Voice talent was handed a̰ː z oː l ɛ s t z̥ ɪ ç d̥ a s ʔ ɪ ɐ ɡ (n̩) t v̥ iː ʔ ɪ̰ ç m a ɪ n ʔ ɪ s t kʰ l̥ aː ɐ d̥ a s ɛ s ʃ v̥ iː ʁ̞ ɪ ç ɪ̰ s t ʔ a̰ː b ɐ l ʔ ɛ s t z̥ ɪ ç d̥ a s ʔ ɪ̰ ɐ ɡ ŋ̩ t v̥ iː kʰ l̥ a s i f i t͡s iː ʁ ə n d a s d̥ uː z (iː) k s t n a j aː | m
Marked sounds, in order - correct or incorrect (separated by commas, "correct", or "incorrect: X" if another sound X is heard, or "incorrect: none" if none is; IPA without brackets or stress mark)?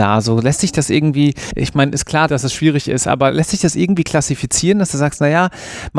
incorrect: ŋ̩, incorrect: aː